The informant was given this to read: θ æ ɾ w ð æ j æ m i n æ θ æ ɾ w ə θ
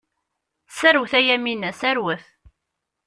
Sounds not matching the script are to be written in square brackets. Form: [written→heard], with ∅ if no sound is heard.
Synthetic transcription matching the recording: [θ→s] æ ɾ w [ð→θ] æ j æ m i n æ [θ→s] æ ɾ w ə θ